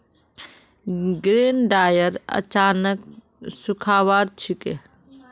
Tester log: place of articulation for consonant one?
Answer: velar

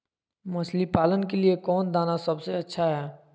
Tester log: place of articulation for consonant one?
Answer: labial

